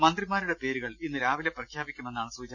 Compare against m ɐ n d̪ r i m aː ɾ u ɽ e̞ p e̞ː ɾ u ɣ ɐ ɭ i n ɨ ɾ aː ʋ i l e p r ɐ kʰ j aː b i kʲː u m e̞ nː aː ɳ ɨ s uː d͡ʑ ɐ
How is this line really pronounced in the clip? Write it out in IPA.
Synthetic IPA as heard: m ɐ n d̪ r i m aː ɾ u ɽ e̞ p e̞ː ɾ u ɣ ɐ ɭ i nː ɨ ɾ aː ʋ i l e p r ɐ kʰ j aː b i kʲː u m e̞ nː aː ɳ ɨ s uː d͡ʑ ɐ